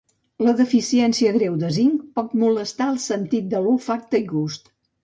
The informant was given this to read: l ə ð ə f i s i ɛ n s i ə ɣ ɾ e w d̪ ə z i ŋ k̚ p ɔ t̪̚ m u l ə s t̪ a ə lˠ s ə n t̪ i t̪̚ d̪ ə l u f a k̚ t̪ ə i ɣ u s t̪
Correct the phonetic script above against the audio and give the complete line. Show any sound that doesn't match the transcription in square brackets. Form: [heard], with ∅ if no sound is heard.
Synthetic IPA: l ə ð ə f i s i ɛ n s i ə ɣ ɾ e w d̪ ə z i ŋ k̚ p ɔ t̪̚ m u l ə s t̪ a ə lˠ s ə n t̪ i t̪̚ d̪ ə l u f a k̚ t̪ ə i ɣ u s t̪